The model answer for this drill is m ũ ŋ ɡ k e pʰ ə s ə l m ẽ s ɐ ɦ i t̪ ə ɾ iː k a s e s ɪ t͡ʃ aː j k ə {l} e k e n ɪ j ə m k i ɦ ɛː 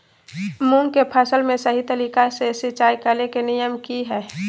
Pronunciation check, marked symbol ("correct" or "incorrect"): correct